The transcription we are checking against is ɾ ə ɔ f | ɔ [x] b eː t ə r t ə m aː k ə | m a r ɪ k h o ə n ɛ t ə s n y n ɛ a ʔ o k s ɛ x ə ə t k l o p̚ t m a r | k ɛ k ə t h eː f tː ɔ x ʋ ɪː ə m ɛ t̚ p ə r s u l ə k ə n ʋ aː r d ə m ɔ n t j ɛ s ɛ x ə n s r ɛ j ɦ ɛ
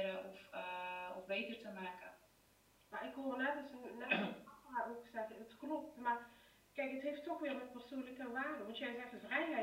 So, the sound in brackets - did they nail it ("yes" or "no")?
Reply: no